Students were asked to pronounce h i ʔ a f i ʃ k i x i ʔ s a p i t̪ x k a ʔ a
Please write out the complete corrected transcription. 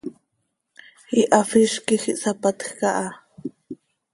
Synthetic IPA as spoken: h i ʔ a f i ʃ k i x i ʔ s a p a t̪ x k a ʔ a